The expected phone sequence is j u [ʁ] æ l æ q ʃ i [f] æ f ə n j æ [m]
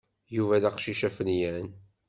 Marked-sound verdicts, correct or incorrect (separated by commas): incorrect, incorrect, incorrect